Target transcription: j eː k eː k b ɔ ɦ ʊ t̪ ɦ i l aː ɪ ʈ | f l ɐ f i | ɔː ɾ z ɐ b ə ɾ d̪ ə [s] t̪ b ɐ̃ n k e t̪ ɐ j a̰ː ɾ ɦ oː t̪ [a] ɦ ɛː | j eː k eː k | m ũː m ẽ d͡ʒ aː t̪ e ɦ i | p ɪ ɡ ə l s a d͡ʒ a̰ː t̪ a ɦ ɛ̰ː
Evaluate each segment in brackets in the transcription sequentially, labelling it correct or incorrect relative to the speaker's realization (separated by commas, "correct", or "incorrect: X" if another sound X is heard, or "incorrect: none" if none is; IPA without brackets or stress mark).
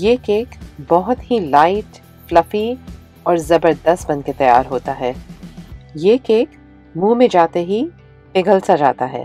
correct, correct